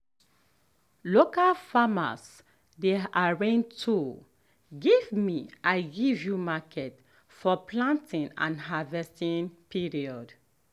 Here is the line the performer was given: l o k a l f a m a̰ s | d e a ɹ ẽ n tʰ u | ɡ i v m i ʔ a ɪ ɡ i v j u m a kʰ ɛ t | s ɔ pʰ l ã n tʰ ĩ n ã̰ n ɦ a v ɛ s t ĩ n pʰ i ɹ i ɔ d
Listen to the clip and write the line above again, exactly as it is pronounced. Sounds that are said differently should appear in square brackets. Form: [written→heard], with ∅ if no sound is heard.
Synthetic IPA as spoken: l o k a l f a m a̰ s | d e a ɹ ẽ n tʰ u | ɡ i v m i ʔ a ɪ ɡ i v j u m a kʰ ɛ t | [s→f] ɔ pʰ l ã n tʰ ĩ n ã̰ n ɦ a v ɛ s t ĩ n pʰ i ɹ i ɔ d